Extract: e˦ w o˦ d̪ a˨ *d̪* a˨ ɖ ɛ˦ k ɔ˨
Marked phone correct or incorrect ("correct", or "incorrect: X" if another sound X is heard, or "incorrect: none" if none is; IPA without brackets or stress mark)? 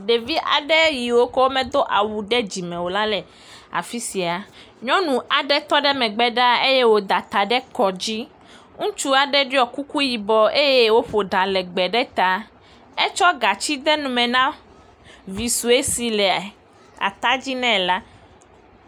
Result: incorrect: t̪